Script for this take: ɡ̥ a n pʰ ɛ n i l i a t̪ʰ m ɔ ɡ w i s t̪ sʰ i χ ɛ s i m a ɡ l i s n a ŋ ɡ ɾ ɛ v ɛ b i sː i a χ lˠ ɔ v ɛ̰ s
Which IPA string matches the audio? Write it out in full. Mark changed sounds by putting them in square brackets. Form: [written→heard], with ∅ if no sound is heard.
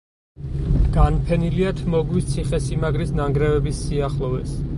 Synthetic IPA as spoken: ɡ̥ a n pʰ ɛ n i l i a t̪ʰ m ɔ ɡ w i s t̪ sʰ i χ ɛ s i m a ɡ [l→ɾ] i s n a ŋ ɡ ɾ ɛ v ɛ b i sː i a χ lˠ ɔ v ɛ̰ s